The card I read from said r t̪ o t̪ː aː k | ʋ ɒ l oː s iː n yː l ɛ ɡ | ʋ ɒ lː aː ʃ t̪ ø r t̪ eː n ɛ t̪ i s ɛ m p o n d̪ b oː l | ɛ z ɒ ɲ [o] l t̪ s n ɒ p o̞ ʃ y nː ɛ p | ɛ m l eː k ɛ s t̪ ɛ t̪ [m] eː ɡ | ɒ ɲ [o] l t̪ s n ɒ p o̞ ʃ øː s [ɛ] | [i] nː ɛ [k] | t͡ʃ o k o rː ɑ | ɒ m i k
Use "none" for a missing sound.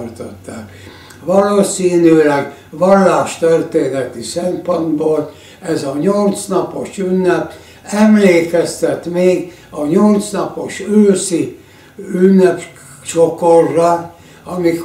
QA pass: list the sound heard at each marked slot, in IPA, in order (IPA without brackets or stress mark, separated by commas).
o, m, o, i, y, p